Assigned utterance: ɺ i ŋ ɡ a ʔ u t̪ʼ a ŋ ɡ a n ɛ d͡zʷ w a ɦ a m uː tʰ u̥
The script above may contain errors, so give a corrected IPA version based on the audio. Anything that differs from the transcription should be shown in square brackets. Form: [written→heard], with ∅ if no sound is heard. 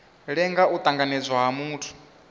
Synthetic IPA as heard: ɺ [i→ɛ] ŋ ɡ a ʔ u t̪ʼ a ŋ ɡ a n ɛ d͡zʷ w a ɦ a m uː tʰ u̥